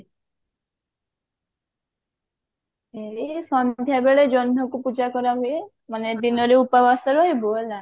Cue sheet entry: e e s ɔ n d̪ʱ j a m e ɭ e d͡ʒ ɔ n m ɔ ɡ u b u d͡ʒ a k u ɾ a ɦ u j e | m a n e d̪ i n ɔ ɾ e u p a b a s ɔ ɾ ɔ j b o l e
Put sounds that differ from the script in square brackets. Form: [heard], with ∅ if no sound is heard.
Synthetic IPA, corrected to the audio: e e s ɔ n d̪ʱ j a [b] e ɭ e d͡ʒ ɔ n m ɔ [k] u [p] u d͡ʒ a k [ɔ] ɾ a ɦ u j e | m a n e d̪ i n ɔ ɾ e u p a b a s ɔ ɾ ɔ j b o l [a]